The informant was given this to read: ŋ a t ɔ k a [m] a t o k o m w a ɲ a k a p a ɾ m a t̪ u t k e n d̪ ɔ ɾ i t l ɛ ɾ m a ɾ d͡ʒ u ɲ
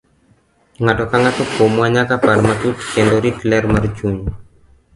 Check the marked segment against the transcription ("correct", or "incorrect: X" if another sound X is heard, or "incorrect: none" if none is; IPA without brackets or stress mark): incorrect: ŋ